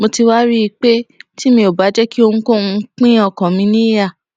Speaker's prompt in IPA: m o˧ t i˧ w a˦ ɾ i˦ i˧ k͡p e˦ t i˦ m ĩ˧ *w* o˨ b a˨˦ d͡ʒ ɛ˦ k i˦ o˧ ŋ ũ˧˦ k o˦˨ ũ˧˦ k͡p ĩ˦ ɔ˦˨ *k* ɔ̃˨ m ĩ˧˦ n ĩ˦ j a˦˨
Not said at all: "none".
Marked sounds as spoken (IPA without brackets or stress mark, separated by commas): none, k